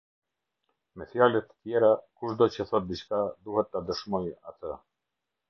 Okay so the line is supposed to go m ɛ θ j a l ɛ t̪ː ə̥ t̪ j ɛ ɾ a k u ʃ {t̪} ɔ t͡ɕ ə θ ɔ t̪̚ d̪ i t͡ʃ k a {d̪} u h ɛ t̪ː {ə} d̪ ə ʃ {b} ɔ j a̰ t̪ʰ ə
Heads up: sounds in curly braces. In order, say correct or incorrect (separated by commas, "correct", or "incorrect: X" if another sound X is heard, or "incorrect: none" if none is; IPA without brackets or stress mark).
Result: incorrect: d̪, correct, incorrect: a, incorrect: m